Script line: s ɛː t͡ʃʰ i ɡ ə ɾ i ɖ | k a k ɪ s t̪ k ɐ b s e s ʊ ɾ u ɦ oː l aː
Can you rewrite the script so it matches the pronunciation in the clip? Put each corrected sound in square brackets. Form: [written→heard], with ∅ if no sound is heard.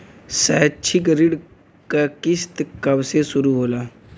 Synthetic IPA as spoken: s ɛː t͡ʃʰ i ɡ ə ɾ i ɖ | k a k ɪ s t̪ k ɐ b s e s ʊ ɾ u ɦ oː l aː